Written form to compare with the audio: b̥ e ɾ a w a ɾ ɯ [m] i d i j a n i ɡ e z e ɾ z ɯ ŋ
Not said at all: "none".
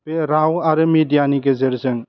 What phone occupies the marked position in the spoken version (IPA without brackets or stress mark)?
m